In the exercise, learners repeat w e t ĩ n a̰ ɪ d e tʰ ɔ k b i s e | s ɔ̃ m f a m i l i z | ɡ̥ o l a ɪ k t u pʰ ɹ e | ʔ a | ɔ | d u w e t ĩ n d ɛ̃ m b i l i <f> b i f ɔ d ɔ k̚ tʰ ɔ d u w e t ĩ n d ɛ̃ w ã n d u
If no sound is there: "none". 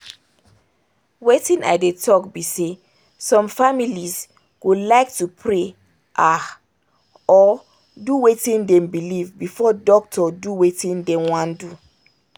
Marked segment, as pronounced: v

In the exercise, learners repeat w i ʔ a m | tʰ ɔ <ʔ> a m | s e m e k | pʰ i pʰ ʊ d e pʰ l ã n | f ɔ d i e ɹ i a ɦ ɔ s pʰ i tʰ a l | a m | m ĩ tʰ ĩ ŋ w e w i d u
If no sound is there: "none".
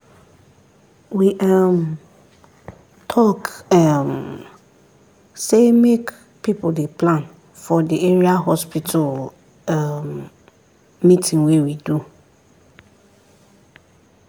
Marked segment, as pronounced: k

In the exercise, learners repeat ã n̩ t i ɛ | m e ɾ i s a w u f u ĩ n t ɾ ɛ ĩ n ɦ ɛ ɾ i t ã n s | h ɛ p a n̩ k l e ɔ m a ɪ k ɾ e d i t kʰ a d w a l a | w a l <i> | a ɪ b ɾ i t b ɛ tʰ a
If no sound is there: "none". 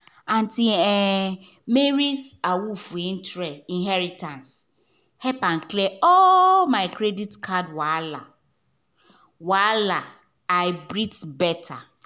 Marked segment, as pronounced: a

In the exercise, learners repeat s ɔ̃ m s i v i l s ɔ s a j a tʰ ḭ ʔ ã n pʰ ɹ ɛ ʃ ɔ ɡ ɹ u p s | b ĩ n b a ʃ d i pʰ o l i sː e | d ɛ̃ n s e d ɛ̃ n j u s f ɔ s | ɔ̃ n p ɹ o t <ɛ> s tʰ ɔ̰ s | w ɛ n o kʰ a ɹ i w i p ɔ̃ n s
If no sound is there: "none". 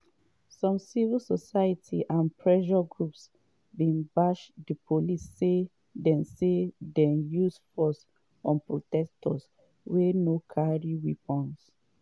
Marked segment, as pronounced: ɛ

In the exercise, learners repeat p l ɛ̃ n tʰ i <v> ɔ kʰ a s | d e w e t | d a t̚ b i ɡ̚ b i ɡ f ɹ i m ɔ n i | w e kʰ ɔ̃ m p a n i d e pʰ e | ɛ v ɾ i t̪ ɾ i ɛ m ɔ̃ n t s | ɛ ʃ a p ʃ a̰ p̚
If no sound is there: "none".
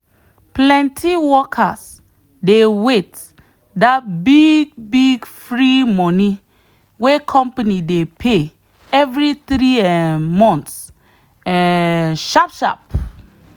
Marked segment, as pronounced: w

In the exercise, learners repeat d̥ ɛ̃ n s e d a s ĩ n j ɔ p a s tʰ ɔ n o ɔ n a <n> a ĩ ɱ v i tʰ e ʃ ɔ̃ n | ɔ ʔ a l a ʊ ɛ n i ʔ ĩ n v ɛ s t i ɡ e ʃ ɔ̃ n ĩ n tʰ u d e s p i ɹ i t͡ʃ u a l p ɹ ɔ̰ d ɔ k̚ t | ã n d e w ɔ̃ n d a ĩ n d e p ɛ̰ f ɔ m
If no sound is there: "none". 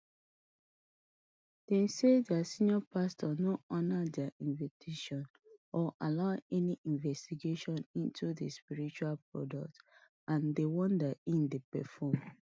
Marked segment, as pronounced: d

